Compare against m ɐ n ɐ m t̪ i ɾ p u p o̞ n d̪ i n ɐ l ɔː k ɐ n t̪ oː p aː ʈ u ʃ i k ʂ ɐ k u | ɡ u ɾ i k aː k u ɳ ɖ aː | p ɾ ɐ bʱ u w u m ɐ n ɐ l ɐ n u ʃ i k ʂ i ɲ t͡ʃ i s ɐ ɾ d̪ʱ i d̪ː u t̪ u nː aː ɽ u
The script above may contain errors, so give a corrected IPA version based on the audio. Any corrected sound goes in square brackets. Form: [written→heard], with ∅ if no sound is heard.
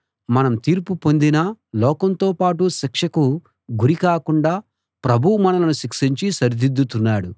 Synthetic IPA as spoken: m ɐ n ɐ m t̪ [i→iː] ɾ p u p o̞ n d̪ i n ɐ l ɔː k ɐ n t̪ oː p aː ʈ u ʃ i k ʂ ɐ k u | ɡ u ɾ i k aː k u ɳ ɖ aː | p ɾ ɐ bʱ u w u m ɐ n ɐ l ɐ n u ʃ i k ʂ i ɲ t͡ʃ i s ɐ ɾ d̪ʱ i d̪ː u t̪ u nː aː ɽ u